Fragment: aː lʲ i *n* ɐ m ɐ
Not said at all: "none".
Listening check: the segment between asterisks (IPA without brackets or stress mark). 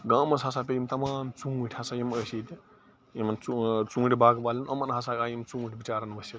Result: n